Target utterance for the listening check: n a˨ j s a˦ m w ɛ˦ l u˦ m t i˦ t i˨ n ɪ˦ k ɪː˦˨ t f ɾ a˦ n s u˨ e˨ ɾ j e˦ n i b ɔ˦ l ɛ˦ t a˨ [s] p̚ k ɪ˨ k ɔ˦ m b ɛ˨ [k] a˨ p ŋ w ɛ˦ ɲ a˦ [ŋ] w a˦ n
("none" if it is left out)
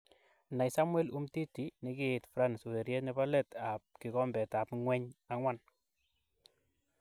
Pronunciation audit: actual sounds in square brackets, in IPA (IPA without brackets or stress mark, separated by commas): none, t, ŋ